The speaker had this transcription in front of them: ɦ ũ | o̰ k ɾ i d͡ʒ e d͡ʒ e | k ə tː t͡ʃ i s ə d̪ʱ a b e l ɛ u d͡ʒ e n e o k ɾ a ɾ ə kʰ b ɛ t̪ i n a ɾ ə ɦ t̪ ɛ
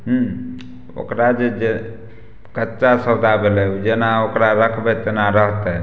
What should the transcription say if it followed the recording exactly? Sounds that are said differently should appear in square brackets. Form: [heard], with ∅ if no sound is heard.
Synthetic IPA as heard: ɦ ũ | o̰ k ɾ [a] d͡ʒ e d͡ʒ e | k ə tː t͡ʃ [a] s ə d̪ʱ a b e l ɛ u d͡ʒ e n [a] o k ɾ a ɾ ə kʰ b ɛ t̪ [e] n a ɾ ə ɦ t̪ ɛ